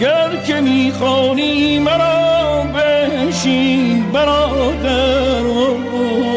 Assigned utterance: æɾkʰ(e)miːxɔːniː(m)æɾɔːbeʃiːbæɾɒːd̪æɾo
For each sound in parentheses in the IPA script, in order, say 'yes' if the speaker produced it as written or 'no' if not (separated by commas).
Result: yes, yes